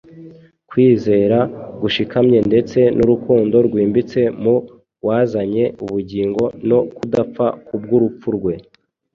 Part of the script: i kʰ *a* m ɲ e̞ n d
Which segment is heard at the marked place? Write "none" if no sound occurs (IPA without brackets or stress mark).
a